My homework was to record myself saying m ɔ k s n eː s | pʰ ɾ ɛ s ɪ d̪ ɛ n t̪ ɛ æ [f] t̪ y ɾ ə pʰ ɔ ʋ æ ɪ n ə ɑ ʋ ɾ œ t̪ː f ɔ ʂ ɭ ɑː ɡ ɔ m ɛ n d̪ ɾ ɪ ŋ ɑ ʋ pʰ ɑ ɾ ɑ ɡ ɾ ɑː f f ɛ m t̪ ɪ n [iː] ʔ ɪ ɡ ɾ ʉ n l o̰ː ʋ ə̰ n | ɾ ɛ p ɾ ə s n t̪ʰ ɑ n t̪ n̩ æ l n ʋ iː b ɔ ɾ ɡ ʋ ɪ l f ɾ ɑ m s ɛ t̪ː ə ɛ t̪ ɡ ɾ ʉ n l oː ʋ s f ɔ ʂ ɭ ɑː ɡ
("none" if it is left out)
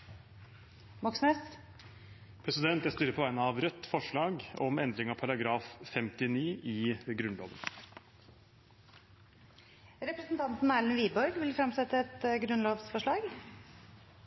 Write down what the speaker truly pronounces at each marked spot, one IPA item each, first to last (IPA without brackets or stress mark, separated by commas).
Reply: s, iː